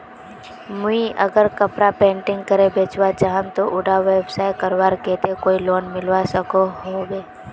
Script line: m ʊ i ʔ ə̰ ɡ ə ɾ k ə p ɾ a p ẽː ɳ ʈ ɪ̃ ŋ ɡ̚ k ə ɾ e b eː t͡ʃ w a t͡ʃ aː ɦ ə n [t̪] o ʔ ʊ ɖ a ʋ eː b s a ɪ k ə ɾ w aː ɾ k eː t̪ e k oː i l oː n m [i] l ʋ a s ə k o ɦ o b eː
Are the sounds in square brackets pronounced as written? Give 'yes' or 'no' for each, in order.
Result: yes, no

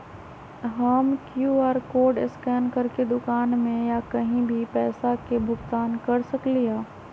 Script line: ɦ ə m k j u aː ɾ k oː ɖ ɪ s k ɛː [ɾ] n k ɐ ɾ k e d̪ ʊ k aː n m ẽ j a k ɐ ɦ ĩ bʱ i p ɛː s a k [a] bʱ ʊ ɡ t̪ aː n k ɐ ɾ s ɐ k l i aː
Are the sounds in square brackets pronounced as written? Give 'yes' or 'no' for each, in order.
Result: no, no

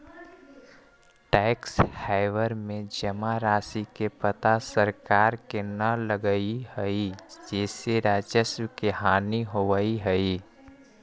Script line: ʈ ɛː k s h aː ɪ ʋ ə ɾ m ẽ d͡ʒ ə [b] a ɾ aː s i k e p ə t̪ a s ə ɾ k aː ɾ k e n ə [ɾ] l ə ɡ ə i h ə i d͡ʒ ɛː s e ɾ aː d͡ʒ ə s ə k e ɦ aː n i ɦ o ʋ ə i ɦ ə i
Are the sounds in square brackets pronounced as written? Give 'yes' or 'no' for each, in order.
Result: no, no

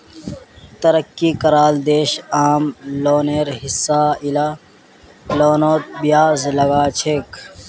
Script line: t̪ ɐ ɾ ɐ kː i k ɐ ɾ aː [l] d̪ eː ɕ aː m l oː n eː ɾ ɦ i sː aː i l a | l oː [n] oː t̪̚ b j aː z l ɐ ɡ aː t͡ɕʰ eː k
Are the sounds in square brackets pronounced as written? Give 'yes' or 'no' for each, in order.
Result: yes, yes

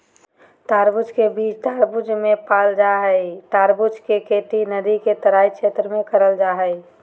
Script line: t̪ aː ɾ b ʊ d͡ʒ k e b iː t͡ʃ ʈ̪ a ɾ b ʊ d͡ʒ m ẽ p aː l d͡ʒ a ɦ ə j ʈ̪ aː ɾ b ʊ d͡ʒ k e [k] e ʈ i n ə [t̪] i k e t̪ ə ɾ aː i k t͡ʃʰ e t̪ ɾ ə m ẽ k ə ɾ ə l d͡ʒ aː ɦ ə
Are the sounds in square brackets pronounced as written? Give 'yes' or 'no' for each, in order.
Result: yes, no

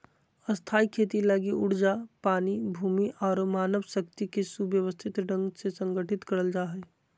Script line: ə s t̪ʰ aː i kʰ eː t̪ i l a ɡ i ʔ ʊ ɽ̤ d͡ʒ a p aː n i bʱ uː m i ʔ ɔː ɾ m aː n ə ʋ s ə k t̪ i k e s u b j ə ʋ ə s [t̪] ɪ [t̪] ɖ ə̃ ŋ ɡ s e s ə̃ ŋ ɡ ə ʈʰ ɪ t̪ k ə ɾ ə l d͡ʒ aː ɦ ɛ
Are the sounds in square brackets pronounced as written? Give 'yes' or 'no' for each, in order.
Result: no, yes

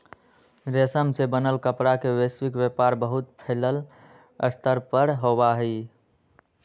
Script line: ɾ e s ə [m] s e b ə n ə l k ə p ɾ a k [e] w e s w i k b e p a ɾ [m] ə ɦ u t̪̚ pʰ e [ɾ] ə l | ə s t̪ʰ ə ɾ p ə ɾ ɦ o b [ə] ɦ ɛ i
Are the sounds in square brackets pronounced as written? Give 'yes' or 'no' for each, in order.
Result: yes, yes, no, no, no

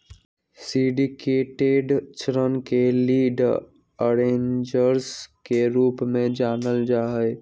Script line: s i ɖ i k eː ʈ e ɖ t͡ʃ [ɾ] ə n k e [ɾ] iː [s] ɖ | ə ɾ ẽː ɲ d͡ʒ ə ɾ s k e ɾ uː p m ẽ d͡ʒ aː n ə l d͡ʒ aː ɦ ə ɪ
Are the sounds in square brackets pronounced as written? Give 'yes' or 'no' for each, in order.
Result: yes, no, no

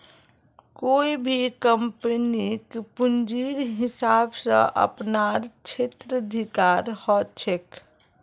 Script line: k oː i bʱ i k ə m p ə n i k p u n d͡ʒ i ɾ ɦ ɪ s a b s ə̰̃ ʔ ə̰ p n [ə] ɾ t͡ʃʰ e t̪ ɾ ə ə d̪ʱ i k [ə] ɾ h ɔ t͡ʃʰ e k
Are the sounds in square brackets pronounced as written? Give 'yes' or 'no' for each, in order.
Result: no, no

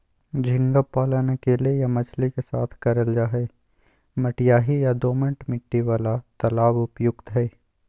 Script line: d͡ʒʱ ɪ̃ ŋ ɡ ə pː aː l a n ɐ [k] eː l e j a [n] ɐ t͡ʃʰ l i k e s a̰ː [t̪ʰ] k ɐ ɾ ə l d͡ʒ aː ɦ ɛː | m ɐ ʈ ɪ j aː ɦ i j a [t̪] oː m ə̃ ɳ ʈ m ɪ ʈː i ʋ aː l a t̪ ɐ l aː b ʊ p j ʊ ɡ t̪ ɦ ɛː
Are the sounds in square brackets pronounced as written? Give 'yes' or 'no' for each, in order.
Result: yes, no, yes, no

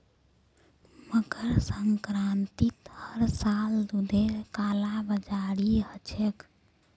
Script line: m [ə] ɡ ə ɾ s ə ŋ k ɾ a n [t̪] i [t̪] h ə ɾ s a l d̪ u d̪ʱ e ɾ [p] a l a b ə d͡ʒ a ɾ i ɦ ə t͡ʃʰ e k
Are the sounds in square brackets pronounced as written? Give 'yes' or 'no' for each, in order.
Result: yes, yes, yes, no

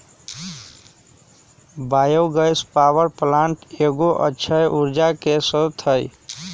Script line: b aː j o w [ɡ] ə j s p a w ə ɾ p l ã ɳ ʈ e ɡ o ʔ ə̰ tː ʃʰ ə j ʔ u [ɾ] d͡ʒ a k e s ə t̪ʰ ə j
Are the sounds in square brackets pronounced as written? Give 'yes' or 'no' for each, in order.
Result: yes, yes

